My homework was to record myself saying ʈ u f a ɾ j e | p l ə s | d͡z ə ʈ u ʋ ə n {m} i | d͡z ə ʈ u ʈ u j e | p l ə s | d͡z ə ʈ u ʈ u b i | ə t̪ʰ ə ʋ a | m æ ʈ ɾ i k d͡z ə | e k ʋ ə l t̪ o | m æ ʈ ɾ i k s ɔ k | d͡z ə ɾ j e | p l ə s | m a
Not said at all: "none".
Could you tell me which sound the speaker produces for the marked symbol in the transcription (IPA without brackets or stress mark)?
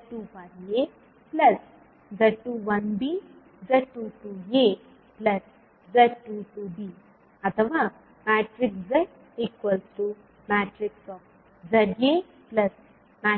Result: b